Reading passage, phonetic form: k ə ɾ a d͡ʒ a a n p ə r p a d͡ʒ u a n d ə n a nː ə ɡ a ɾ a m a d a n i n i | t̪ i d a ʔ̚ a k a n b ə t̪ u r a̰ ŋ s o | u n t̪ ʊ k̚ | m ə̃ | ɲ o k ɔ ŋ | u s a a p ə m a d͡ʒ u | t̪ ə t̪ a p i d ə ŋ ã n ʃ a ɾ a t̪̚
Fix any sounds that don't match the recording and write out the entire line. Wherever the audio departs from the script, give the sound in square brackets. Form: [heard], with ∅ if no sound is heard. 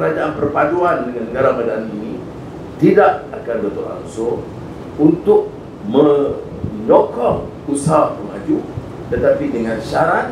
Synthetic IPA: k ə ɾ a d͡ʒ a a n p ə r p a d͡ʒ u a n d ə [ŋ] a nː ə ɡ a ɾ a m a d a n i n i | t̪ i d a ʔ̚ a k a n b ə t̪ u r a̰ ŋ s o | u n t̪ ʊ k̚ | m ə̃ | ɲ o k ɔ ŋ | u s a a p ə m a d͡ʒ u | t̪ ə t̪ a p i d ə ŋ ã n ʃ a ɾ a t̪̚